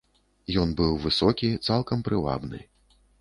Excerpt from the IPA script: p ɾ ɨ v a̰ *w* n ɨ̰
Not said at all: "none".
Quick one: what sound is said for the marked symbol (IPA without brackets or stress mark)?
b